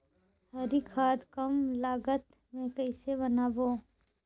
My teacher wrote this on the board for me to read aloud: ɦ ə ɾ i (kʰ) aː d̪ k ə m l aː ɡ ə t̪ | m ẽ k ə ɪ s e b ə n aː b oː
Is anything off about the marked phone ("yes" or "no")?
no